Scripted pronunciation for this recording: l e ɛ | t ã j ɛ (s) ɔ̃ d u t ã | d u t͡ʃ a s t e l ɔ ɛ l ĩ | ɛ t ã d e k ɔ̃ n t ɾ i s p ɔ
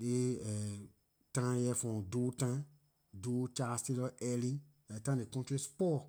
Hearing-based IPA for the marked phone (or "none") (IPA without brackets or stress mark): f